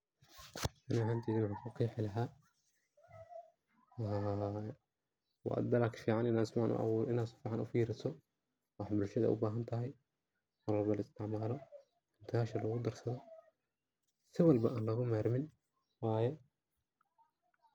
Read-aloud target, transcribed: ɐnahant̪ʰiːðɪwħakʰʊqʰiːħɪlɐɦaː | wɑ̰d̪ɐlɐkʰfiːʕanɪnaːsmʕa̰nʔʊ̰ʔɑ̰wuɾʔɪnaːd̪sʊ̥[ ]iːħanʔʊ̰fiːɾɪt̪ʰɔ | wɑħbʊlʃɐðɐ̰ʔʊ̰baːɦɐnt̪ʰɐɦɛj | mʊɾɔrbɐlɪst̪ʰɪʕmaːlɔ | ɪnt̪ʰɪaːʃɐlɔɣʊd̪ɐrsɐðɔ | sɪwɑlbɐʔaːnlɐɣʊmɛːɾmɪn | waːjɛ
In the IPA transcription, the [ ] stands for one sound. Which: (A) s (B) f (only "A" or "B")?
B